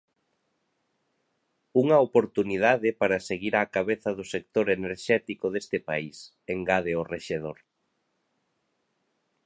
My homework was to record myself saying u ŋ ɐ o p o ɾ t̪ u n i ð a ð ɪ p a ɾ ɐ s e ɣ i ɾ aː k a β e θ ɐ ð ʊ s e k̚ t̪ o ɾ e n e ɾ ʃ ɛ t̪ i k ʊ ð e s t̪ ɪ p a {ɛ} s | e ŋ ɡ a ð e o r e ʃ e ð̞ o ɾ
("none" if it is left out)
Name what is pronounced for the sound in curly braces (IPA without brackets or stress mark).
i